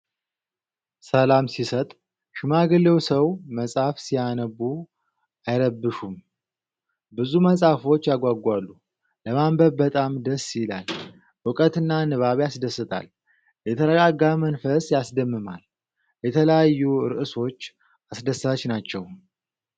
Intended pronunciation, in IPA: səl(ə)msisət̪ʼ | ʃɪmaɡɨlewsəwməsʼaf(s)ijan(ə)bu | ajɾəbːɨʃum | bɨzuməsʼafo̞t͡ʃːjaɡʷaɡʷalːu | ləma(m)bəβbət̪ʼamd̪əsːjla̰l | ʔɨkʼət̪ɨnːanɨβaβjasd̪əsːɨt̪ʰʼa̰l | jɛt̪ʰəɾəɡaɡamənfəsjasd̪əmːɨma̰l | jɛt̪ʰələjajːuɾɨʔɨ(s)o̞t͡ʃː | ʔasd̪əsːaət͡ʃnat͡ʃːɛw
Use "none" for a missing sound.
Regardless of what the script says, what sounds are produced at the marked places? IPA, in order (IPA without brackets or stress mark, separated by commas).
a, s, ə, m, s